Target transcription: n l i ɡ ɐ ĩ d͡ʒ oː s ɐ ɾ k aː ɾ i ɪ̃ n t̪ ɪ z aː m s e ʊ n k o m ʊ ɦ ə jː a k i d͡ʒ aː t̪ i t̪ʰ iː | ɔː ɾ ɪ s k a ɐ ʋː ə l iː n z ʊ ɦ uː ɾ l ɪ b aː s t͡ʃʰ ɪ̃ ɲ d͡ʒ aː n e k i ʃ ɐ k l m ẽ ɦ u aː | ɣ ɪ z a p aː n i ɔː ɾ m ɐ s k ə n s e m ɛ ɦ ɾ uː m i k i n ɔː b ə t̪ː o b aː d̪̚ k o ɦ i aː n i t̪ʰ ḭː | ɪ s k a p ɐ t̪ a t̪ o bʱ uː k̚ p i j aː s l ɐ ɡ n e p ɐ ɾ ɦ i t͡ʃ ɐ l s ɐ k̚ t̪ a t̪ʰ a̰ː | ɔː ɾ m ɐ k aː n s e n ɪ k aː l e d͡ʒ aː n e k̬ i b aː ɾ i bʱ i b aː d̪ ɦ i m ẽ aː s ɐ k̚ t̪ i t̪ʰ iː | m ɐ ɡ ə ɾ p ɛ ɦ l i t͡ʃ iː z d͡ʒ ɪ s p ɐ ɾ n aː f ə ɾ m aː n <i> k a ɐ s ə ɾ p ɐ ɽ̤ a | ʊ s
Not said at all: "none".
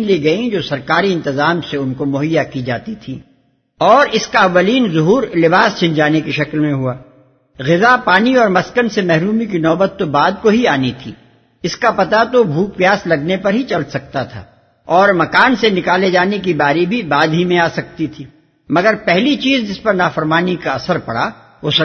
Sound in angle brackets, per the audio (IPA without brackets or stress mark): i